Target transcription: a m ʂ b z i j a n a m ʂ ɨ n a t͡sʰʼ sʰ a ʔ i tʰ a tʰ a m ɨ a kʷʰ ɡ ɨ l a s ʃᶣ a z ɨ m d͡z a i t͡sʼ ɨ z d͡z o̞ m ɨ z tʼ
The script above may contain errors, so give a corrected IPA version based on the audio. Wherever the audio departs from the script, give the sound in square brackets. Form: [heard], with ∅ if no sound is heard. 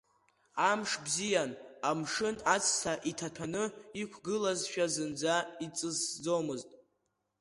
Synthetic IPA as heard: a m ʂ b z i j a n a m ʂ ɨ n a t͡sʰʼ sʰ a ʔ i tʰ a tʰ a [n] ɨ [i] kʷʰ ɡ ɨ l a [z] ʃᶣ a z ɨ [n] d͡z a i t͡sʼ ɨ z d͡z o̞ m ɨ z tʼ